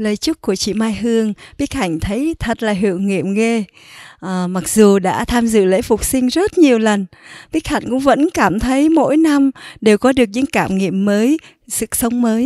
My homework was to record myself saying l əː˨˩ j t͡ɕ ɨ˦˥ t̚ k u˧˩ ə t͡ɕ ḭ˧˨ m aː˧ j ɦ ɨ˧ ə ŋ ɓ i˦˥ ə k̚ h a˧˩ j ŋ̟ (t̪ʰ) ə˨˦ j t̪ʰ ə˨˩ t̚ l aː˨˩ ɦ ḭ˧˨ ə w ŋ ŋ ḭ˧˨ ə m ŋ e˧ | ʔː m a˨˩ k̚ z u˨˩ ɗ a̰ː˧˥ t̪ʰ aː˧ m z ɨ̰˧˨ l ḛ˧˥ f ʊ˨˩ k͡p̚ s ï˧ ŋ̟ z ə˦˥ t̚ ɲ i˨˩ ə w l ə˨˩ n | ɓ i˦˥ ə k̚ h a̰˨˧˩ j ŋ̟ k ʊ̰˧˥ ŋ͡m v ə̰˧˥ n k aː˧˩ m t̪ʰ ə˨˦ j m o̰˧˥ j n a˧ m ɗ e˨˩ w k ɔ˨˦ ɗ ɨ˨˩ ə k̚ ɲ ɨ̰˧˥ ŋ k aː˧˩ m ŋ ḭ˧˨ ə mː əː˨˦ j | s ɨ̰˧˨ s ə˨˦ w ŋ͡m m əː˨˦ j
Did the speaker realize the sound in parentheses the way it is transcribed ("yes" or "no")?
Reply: yes